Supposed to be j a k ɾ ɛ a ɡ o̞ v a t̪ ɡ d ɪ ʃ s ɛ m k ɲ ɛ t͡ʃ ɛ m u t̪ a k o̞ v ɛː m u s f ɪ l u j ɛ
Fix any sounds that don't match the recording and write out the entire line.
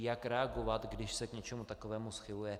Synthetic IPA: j a k ɾ ɛ a ɡ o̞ v a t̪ ɡ d ɪ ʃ s ɛ k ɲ ɛ t͡ʃ ɛ m u t̪ a k o̞ v ɛː m u s x ɪ l u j ɛ